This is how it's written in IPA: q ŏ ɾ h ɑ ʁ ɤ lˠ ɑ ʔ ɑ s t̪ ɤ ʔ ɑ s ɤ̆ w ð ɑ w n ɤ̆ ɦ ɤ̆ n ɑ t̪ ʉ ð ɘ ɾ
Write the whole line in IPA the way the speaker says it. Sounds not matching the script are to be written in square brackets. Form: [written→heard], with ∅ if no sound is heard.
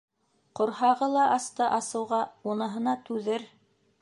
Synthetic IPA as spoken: q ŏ ɾ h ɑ ʁ ɤ lˠ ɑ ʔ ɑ s t̪ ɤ ʔ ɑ s ɤ̆ w [ð→ʁ] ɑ [w→u] n ɤ̆ ɦ ɤ̆ n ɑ t̪ ʉ ð ɘ ɾ